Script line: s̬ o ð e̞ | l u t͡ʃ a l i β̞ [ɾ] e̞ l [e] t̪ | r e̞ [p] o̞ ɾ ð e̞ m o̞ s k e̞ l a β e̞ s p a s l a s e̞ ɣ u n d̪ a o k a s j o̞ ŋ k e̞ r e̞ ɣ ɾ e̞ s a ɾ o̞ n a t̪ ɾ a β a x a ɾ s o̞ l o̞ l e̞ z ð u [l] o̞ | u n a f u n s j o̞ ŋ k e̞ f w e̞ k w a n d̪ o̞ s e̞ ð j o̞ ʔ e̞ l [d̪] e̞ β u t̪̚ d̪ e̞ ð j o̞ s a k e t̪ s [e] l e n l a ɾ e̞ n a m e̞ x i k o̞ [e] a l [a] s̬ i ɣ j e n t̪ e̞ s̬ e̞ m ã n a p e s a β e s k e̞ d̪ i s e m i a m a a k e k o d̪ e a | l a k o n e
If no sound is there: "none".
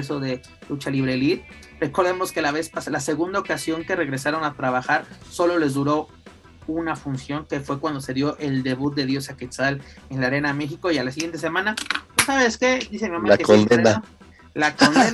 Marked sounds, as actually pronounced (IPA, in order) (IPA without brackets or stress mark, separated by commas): ɾ, i, k, ɾ, d̪, a, i, a